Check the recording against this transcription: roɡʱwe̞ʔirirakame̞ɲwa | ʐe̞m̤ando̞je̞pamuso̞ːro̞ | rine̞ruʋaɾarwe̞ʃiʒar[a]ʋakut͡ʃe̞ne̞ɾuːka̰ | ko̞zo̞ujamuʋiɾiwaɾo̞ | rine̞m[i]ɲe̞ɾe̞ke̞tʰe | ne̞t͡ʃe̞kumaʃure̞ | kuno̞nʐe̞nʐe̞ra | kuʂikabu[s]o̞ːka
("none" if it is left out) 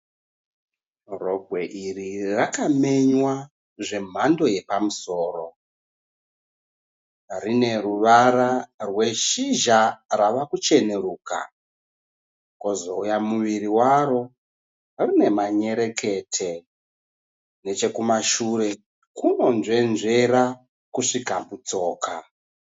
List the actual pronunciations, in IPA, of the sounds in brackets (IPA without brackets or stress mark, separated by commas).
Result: a, a, t͡s